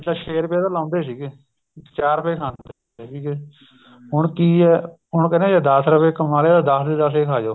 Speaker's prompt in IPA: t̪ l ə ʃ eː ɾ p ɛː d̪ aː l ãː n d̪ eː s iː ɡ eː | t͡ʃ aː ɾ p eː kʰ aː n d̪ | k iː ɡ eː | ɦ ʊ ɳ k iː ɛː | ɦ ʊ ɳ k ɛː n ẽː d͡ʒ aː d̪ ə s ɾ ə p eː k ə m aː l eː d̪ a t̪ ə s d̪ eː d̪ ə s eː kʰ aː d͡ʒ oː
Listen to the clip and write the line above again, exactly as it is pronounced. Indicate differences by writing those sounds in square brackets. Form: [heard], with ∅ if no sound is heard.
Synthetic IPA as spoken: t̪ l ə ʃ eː ɾ p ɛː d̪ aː l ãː n d̪ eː s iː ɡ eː | t͡ʃ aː ɾ p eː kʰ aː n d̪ | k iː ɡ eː | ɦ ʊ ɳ k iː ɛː | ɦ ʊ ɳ k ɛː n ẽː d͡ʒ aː d̪ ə s ɾ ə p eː k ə m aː l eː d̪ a [d̪] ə s d̪ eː d̪ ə s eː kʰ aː d͡ʒ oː